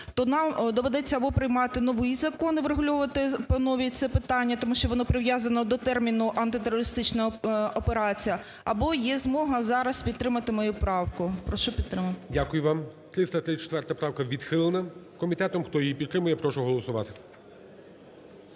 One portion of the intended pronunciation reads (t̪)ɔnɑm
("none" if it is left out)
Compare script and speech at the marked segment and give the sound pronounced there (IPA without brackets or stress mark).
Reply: t̪